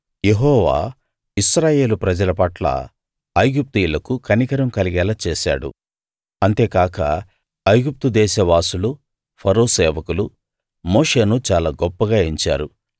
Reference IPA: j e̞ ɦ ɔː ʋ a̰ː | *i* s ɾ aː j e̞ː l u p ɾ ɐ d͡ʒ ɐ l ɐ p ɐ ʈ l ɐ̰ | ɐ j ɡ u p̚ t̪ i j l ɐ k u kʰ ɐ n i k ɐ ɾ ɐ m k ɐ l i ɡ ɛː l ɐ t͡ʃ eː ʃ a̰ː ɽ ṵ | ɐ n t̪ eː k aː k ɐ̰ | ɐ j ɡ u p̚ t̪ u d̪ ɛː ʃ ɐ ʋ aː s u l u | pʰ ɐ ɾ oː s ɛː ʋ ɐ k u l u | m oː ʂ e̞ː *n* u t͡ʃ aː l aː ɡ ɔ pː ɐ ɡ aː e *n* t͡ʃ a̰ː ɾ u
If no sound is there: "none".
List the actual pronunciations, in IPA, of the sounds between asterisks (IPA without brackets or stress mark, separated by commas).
i, n, ɲ